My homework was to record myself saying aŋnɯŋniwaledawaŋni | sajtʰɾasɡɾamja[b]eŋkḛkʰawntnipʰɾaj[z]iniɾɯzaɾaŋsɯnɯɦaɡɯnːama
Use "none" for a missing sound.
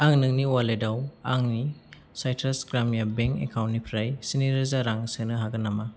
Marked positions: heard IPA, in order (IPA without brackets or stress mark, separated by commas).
b, s